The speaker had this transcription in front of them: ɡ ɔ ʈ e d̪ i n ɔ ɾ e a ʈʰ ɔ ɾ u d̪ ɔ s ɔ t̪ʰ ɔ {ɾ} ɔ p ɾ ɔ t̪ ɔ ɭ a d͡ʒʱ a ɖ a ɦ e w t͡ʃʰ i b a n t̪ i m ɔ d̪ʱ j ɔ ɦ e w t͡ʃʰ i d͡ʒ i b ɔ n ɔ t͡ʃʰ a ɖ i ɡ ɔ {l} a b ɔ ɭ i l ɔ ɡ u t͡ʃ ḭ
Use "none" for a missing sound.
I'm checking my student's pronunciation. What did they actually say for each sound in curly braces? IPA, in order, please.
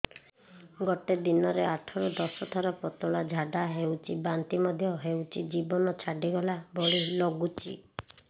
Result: ɾ, l

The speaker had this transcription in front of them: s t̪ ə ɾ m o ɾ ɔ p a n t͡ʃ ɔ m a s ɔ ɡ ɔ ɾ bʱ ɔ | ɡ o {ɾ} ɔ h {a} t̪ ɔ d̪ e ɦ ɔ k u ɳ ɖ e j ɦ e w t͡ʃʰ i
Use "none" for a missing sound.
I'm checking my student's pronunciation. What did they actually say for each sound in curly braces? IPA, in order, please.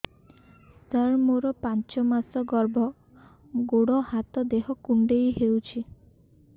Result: ɽ, a

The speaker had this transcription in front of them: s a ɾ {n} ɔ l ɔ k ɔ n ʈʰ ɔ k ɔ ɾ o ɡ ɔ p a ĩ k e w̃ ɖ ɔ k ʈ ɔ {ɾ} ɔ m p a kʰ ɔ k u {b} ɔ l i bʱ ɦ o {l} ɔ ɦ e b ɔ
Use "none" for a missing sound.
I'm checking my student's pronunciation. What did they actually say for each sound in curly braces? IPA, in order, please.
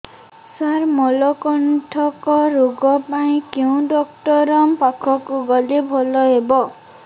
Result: m, ɾ, ɡ, l

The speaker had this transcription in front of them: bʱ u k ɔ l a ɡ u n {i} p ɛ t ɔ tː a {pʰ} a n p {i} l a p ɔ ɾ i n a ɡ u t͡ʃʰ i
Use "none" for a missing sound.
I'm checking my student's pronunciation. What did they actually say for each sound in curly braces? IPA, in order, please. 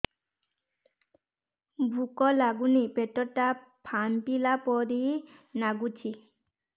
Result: i, pʰ, i

